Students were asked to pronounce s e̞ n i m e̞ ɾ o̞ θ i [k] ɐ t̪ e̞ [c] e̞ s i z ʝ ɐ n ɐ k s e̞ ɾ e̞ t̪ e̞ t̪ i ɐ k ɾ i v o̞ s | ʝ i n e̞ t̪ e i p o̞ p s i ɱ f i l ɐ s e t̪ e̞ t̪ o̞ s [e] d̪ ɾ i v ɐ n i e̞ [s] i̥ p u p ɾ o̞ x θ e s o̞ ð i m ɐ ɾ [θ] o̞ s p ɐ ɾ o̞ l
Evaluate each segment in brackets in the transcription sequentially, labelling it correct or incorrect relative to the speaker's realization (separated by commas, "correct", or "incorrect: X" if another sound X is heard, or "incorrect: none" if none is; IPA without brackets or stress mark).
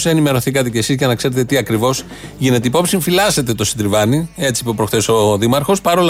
correct, correct, incorrect: i, incorrect: t͡s, incorrect: x